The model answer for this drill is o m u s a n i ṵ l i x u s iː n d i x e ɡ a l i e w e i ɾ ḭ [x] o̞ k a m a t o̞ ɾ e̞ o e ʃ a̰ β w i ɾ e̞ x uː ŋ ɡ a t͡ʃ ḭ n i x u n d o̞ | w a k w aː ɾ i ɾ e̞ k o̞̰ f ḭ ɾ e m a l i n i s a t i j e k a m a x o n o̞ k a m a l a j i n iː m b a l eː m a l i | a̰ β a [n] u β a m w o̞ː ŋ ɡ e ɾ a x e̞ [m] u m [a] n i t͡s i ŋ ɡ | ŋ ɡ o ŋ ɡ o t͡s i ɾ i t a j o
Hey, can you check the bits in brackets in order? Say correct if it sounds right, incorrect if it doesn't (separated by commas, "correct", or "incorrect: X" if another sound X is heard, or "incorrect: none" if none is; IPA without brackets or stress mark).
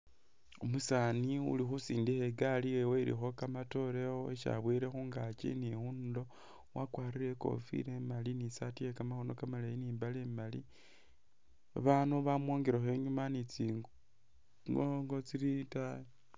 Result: correct, correct, incorrect: ɲ, correct